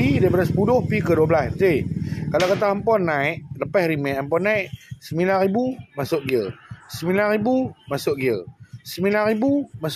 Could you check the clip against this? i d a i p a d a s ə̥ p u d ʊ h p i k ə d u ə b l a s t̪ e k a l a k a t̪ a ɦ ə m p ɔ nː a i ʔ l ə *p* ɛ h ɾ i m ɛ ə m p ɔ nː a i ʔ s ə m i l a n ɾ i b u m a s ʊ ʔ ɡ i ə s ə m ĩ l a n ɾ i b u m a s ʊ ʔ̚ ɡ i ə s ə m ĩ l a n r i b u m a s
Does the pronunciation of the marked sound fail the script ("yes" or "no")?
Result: no